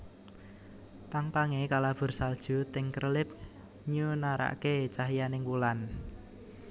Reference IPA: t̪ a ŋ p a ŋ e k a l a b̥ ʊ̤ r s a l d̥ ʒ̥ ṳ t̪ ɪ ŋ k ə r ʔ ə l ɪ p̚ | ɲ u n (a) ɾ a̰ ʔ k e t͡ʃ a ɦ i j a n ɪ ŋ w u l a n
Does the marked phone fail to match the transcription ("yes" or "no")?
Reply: no